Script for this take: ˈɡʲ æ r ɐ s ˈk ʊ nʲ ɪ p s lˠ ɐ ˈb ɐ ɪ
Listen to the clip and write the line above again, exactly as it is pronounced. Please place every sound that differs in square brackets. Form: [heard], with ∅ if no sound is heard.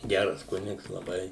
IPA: ˈɡʲ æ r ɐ s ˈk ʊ nʲ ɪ [k] s lˠ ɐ ˈb ɐ ɪ